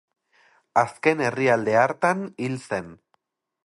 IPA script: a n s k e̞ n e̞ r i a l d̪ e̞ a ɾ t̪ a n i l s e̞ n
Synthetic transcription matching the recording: a s k e̞ n e̞ r i a l d̪ e̞ a ɾ t̪ a n i l s e̞ n